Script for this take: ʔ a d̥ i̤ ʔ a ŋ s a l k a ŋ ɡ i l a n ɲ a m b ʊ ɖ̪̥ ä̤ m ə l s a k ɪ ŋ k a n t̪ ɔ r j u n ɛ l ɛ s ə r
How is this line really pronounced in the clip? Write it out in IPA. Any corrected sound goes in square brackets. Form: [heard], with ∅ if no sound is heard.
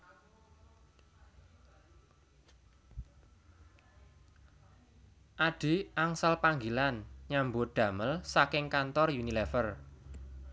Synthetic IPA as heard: ʔ a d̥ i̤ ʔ a ŋ s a l [p] a ŋ ɡ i l a n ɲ a m b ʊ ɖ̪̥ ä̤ m ə l s a k ɪ ŋ k a n t̪ ɔ r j u n [i] l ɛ [f] ə r